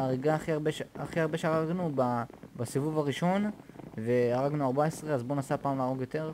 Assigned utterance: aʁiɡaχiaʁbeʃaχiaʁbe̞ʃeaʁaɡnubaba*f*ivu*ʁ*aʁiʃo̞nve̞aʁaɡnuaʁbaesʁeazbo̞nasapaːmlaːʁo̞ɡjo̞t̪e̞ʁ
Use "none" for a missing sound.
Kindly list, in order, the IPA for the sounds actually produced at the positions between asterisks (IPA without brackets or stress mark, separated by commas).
s, v